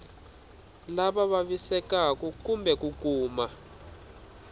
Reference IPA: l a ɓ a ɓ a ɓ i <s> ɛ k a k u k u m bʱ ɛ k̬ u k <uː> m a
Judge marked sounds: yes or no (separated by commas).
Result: yes, yes